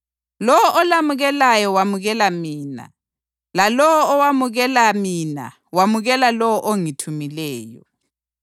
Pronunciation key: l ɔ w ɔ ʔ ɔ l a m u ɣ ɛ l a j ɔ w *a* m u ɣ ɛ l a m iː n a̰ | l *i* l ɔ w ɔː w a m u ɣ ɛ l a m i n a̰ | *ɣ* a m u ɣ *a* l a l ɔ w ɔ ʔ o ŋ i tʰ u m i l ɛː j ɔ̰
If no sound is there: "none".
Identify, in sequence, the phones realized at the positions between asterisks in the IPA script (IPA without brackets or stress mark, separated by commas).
a, a, w, ɛ